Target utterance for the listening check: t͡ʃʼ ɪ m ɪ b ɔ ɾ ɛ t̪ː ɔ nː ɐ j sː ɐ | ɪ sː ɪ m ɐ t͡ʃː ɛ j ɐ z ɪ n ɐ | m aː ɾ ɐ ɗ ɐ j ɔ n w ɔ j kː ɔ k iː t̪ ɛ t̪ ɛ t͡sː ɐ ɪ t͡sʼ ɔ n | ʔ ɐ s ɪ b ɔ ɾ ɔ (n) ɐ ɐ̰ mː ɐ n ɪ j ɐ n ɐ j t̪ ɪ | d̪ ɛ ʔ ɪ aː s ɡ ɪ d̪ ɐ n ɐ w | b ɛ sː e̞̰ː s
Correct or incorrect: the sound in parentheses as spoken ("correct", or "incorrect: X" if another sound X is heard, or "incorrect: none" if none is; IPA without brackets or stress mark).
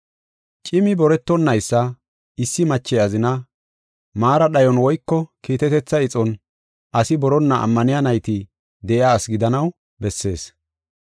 incorrect: nː